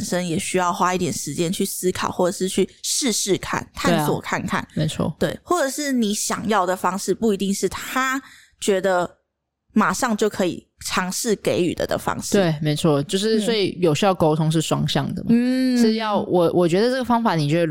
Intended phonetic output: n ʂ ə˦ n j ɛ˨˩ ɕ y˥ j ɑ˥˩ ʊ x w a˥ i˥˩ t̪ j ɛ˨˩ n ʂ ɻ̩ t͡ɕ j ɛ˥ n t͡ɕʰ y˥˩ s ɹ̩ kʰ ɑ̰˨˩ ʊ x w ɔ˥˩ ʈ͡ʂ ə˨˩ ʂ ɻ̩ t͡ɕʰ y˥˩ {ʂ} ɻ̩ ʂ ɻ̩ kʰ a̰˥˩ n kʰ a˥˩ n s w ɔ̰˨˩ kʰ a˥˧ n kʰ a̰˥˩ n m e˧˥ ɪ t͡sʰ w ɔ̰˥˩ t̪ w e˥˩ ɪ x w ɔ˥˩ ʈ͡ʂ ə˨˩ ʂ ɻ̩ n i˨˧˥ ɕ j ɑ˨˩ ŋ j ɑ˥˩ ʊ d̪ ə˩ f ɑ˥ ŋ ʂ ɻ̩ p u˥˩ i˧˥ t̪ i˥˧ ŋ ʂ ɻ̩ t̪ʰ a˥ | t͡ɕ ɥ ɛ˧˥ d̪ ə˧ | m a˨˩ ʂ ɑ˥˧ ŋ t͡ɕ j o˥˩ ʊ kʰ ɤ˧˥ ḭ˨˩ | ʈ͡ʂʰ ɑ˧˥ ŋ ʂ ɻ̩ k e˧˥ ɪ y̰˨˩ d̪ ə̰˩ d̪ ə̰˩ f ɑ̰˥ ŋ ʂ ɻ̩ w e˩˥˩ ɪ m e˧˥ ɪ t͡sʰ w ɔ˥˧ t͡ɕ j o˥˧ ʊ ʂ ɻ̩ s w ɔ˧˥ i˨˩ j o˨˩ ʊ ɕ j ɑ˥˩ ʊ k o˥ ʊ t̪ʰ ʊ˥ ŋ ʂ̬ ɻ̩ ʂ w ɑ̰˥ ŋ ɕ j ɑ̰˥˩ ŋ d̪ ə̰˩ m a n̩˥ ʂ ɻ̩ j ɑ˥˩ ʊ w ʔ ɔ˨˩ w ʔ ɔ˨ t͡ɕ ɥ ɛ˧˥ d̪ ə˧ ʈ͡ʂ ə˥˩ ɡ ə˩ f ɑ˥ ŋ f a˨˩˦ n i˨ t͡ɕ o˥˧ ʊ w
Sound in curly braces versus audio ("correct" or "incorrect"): correct